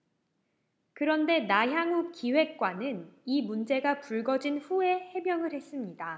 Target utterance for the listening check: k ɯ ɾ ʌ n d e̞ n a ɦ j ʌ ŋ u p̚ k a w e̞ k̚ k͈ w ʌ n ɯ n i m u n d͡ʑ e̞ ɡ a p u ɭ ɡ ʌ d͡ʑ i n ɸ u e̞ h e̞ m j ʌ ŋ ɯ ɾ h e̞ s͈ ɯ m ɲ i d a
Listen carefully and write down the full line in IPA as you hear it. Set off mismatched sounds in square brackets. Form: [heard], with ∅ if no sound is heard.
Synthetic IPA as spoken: k ɯ ɾ ʌ n d e̞ n a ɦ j [a] ŋ u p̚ k [i] w e̞ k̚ k͈ w [a] n ɯ n i m u n d͡ʑ e̞ ɡ a p u ɭ ɡ ʌ d͡ʑ i n ɸ u e̞ h e̞ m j ʌ ŋ ɯ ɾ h e̞ s͈ ɯ m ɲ i d a